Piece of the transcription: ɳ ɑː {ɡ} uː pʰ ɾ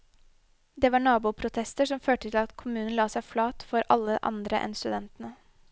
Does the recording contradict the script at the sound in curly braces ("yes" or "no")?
yes